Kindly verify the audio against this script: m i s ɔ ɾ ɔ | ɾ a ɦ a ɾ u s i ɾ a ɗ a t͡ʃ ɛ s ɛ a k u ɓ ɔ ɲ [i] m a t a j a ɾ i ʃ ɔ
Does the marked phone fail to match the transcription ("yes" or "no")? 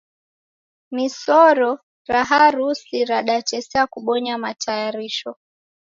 yes